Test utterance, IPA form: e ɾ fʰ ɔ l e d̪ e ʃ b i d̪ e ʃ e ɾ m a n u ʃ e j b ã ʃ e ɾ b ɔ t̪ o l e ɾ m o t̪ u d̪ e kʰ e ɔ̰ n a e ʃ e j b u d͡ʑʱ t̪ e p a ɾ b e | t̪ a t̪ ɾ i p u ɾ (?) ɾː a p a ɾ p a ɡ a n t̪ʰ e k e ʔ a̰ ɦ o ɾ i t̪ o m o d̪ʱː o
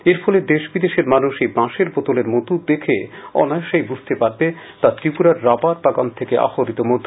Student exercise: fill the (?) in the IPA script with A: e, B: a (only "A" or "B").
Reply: B